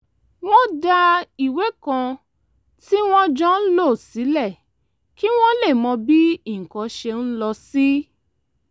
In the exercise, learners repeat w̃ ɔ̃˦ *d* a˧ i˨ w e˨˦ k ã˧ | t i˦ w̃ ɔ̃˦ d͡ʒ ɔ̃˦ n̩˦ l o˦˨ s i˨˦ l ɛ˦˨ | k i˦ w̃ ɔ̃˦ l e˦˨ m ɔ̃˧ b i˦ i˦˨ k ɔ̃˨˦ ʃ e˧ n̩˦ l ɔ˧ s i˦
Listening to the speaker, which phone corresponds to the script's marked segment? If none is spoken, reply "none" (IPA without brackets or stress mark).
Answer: d